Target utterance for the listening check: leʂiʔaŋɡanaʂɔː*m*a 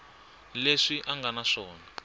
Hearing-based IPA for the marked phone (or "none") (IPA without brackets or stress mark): n